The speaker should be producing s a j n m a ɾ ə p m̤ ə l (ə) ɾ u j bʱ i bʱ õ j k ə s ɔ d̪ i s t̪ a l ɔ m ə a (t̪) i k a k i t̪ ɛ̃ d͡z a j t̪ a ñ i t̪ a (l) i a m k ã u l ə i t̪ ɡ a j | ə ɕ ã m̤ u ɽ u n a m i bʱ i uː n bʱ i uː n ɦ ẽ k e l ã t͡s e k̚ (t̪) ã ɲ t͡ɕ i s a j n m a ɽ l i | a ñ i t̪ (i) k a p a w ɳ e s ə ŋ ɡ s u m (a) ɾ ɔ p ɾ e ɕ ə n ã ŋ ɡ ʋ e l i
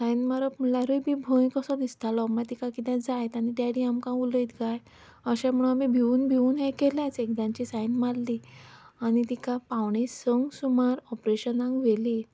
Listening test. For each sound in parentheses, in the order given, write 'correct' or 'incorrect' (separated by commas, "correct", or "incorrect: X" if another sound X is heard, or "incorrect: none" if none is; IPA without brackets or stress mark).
incorrect: a, correct, incorrect: ɽ, incorrect: d̪, correct, correct